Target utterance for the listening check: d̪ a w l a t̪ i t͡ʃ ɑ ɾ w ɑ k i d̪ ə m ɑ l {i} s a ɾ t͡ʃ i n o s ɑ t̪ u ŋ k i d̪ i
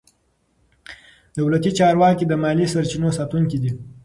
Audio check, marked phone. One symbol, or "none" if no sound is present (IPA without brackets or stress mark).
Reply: i